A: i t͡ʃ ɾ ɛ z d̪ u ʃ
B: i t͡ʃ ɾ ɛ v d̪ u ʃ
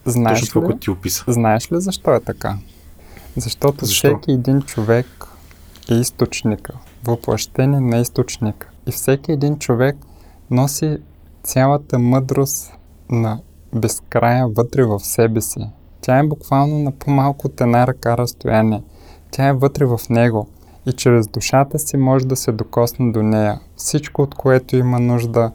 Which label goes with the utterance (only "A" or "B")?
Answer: A